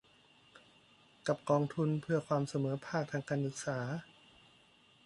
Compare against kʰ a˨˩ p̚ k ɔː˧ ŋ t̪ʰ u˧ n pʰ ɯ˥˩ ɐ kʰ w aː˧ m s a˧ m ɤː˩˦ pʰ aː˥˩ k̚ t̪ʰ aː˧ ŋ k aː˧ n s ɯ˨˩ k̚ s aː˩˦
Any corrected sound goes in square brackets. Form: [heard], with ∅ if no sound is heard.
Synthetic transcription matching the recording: [k] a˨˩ p̚ k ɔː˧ ŋ t̪ʰ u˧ n pʰ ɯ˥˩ ɐ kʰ w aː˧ m s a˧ m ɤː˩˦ pʰ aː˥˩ k̚ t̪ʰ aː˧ ŋ k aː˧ n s ɯ˨˩ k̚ s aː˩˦